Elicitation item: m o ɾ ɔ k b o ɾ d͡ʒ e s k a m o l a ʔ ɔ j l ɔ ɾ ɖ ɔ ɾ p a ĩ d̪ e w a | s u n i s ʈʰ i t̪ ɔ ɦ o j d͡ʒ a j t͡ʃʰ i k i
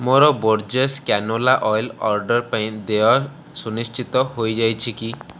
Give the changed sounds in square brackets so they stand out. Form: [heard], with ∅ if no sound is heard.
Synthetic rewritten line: m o ɾ ɔ [∅] b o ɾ d͡ʒ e s k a [n] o l a ʔ ɔ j l ɔ ɾ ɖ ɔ ɾ p a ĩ d̪ e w a | s u n i s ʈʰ i t̪ ɔ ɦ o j d͡ʒ a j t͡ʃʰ i k i